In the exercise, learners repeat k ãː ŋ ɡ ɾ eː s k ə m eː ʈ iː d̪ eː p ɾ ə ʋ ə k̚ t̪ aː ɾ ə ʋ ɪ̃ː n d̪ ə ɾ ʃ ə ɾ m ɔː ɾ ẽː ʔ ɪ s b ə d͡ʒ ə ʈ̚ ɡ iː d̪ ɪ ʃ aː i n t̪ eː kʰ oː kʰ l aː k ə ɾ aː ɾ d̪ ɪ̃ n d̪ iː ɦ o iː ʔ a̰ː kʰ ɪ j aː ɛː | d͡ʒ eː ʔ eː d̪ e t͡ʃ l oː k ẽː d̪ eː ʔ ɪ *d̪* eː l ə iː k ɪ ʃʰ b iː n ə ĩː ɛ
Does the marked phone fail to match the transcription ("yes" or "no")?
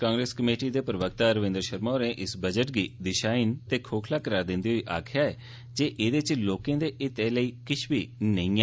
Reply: yes